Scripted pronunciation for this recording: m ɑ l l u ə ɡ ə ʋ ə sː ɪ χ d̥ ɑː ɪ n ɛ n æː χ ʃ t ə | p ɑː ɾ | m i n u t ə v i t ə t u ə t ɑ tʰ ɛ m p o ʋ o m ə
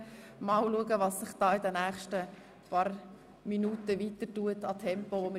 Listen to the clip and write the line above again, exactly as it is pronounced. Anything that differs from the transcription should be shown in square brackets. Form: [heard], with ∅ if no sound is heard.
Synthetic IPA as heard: m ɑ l l u ə ɡ ə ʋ [ɑ] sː ɪ χ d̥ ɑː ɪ [d] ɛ n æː χ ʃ t ə | p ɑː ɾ | m i n u t ə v i t ə t u ə t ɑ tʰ ɛ m p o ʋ o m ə

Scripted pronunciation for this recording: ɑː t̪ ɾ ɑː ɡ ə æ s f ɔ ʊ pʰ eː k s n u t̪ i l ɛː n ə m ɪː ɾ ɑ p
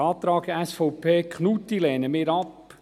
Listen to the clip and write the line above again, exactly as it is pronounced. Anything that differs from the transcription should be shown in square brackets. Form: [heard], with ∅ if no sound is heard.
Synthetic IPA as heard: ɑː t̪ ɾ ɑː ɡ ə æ s f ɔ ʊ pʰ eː k [χ] n u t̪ i l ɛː n ə m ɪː ɾ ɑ p

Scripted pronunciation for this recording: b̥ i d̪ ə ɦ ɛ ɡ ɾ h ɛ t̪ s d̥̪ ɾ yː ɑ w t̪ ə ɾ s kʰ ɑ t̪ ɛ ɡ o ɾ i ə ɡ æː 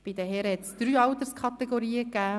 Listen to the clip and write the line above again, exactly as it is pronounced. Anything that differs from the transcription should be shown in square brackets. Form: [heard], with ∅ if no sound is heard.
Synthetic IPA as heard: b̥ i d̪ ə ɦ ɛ [∅] ɾ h ɛ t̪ s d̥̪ ɾ yː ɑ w t̪ ə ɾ s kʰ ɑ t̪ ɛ ɡ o ɾ [iː] ə [k] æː

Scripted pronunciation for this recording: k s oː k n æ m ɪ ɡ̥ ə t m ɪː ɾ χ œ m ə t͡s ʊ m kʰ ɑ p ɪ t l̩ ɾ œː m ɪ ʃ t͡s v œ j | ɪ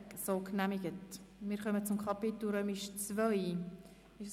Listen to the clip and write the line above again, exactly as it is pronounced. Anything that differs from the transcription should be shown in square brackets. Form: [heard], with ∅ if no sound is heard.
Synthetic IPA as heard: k s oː k n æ m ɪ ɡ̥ ə t m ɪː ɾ χ œ m ə t͡s ʊ m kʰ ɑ p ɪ t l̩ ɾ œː m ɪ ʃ t͡s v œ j | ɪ

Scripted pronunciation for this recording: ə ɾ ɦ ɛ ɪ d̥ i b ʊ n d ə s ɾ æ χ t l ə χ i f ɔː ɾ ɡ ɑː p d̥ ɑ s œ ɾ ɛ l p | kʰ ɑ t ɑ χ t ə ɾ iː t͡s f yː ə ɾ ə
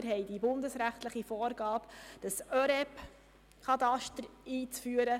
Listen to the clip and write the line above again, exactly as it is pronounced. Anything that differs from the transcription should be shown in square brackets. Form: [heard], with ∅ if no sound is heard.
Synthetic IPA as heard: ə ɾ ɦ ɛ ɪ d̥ i b ʊ n d ə s ɾ æ χ t l ə χ i f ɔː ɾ ɡ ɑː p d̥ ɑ s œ ɾ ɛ [∅] p | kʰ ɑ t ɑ [ʃ] t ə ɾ iː t͡s f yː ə ɾ ə

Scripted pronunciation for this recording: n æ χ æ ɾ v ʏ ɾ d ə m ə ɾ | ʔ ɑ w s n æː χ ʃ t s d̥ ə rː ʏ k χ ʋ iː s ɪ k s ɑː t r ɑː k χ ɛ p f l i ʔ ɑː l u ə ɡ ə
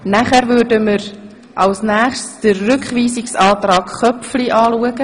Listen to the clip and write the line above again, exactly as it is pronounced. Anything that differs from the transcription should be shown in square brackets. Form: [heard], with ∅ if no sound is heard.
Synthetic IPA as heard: n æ χ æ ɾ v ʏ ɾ d ə m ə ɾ | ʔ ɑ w s n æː χ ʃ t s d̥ ə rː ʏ k χ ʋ iː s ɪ k s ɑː t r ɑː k χ [œ] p f l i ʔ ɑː l u ə ɡ ə

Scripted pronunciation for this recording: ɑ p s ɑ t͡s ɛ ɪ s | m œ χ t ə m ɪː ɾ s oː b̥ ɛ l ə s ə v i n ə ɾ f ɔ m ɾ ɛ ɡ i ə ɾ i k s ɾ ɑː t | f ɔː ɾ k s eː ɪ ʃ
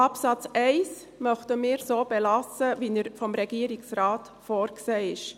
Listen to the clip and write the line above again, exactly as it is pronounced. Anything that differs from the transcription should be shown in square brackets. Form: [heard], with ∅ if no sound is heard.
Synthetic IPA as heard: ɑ p s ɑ t͡s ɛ ɪ s | m œ χ t ə m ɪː ɾ s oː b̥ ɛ l [ɑ] s ə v i n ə ɾ f ɔ m ɾ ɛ ɡ i ə ɾ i k s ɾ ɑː t | f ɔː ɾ k s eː ɪ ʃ

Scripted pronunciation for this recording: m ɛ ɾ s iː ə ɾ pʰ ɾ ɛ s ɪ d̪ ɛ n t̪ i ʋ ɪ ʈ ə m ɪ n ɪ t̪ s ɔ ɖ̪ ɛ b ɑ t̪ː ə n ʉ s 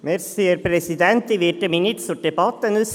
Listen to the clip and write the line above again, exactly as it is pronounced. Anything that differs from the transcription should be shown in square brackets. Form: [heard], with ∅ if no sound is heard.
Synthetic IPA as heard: m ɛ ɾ s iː ə ɾ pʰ ɾ ɛ s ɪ d̪ ɛ n t̪ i ʋ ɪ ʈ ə m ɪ n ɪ t̪ s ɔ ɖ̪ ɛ b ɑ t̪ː ə n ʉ s

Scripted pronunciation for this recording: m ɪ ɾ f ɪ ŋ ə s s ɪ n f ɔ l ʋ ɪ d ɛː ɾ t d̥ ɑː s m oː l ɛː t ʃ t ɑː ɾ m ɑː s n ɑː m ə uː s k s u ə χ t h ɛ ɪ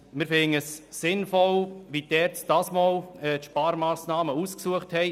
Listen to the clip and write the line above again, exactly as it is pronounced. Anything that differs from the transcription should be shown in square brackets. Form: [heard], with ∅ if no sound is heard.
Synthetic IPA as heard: m ɪ ɾ f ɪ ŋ ə s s ɪ n f ɔ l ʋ [i] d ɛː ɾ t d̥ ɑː s m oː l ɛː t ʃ [p] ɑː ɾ m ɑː s n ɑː m ə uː s k s u ə χ t h ɛ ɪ

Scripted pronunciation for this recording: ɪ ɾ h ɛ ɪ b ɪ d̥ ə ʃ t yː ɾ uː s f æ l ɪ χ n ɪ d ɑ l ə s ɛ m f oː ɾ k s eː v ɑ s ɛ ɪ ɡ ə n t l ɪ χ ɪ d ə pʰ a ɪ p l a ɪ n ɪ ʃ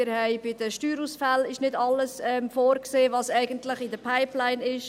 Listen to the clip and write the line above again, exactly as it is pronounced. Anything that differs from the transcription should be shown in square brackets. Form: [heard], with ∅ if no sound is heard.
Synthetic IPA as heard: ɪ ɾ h ɛ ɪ b ɪ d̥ ə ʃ t yː ɾ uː s f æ l ɪ [ʃ] n ɪ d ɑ l ə s ɛ m f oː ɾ k s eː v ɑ s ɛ ɪ ɡ ə n t l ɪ χ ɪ d ə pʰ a ɪ p l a ɪ n ɪ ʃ

